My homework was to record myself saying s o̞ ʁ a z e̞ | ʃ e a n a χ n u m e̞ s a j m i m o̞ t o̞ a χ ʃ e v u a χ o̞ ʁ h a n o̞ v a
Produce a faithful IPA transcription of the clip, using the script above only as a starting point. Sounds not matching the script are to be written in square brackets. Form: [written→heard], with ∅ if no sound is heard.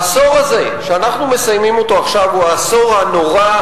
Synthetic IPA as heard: s o̞ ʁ a z e̞ | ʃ e a n a χ n u m e̞ s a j m i m o̞ t o̞ a χ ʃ [e→a] v u a [χ→s] o̞ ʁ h a n o̞ [v→ʁ] a